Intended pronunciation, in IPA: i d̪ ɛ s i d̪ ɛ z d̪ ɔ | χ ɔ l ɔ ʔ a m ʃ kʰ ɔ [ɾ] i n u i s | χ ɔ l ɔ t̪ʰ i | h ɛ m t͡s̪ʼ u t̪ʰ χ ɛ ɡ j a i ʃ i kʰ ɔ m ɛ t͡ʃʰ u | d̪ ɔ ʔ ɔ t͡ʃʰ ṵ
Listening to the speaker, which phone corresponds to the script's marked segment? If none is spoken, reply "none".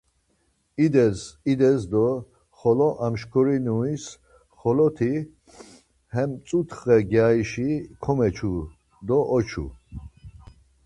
ɾ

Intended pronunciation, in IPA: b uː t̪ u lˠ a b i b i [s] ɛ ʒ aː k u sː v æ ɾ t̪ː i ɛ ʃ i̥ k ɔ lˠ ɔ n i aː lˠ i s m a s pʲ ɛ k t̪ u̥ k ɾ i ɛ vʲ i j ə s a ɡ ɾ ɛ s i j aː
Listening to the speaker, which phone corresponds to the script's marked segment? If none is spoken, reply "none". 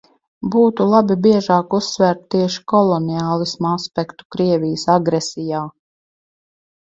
none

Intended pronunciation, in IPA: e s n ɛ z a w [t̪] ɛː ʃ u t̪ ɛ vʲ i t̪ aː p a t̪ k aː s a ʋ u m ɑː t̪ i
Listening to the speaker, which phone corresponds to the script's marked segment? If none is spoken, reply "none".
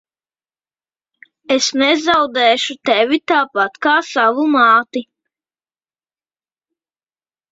d̪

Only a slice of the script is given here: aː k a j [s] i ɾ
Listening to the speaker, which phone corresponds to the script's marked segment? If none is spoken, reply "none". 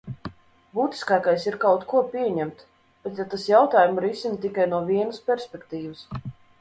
s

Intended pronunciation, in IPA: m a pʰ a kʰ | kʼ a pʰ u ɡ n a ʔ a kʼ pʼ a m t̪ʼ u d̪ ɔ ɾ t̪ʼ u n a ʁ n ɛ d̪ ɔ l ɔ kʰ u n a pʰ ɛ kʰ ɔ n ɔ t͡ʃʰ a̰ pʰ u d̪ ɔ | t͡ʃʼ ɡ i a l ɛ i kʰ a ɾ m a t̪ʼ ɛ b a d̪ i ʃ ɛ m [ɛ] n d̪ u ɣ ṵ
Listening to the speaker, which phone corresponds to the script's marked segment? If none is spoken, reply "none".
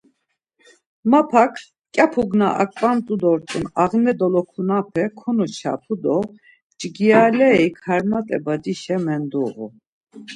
ɛ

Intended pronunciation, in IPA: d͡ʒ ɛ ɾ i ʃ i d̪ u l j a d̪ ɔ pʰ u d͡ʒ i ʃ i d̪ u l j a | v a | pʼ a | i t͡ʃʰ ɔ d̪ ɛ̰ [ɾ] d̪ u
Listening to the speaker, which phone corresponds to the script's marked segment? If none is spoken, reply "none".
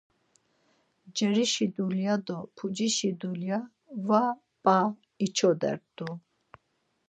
ɾ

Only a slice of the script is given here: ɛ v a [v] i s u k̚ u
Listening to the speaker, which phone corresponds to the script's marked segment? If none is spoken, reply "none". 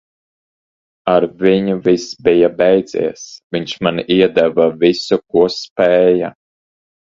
v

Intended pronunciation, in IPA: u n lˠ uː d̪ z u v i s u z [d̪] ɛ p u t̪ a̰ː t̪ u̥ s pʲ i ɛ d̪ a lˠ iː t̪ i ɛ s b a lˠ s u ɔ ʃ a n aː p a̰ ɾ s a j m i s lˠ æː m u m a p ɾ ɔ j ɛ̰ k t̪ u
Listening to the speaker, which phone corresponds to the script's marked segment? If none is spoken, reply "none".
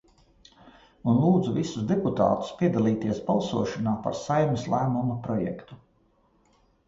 d̪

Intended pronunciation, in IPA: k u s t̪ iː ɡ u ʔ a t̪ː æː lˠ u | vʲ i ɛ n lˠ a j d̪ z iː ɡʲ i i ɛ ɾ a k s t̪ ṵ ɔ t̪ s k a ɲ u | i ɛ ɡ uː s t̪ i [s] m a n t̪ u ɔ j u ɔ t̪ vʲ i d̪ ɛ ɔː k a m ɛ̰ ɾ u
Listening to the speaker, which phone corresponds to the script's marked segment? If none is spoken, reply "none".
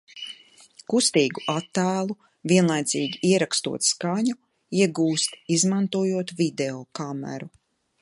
z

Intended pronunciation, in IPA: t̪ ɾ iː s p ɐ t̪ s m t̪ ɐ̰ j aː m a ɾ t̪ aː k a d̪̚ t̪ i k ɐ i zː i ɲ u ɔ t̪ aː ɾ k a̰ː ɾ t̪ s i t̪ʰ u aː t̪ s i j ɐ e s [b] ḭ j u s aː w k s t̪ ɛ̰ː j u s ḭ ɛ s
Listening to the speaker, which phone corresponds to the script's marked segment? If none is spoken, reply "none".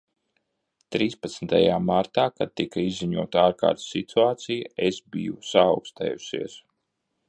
b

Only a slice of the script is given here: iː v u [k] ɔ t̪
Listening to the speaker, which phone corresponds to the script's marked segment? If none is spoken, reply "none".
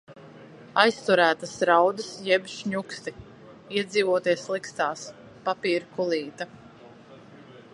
none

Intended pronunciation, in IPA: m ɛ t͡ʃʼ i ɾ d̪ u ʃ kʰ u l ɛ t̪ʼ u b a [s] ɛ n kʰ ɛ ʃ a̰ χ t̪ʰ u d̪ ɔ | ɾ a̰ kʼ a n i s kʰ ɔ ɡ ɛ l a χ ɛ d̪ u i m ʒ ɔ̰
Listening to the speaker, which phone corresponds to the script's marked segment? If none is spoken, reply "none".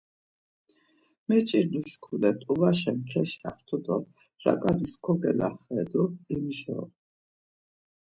ʃ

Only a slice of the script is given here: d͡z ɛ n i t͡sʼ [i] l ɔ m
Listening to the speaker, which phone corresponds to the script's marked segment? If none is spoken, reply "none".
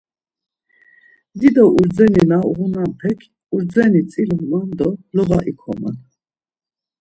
i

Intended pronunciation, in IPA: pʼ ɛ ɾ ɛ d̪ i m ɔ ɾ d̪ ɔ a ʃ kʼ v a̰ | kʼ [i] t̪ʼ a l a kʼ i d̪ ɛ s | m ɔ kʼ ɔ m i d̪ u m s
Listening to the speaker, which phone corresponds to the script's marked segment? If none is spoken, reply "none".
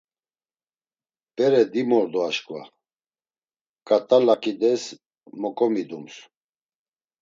a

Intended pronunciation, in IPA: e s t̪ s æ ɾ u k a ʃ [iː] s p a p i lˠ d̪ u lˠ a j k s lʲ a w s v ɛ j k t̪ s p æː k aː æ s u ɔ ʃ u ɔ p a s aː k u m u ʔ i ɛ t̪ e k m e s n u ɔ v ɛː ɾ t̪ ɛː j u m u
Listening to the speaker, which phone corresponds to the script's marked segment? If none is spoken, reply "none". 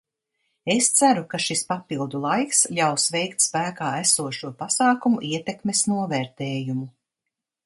i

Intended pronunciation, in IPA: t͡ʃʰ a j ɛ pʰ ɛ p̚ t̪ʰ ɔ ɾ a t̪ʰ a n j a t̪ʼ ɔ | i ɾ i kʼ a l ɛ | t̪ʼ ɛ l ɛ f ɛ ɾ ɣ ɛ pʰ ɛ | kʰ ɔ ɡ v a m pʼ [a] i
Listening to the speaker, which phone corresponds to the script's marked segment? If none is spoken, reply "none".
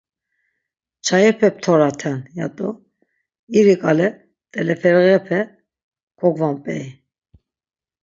ɛ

